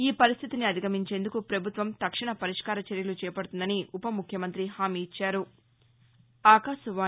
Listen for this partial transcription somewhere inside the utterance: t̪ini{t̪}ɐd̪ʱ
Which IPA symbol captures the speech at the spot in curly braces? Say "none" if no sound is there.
none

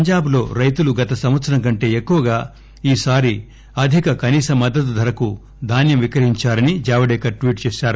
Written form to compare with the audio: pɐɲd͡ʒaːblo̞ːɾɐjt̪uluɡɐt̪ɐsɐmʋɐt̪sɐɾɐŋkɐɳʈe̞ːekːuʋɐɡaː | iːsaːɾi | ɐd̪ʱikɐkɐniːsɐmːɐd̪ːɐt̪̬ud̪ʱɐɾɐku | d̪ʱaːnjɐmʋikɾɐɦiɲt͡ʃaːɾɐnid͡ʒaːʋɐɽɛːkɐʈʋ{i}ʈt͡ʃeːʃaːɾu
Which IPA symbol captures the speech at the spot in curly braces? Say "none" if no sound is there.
iː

